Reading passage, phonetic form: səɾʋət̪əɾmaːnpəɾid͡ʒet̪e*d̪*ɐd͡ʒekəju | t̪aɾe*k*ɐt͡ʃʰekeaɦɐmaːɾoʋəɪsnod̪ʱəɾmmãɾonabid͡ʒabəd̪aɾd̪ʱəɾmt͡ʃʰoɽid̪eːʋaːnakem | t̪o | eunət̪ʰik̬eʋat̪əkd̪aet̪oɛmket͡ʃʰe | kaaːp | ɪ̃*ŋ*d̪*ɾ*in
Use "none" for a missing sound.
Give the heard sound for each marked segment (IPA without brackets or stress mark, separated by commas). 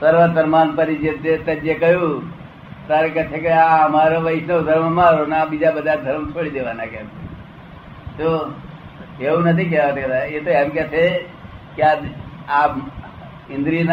t̪, k, n, ɾ